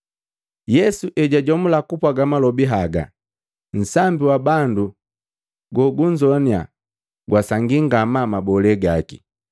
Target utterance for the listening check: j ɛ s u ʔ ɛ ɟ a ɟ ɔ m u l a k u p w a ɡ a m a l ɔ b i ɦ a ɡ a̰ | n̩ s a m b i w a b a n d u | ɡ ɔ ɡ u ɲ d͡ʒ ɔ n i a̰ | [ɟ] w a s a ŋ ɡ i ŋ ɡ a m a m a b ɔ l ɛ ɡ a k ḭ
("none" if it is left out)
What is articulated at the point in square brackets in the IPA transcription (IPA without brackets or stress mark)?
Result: ɡ